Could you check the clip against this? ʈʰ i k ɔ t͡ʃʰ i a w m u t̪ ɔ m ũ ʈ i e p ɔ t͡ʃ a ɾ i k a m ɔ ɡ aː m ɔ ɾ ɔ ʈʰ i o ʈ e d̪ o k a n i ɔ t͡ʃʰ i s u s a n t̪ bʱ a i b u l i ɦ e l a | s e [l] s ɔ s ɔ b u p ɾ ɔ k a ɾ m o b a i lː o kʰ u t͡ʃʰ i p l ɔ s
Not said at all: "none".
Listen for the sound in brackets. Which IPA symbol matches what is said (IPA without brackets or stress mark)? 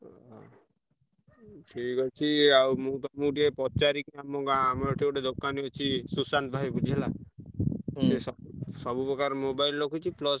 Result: none